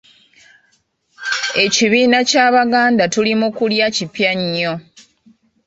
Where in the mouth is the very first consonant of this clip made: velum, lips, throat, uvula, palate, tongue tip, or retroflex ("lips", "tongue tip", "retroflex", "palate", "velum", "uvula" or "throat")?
palate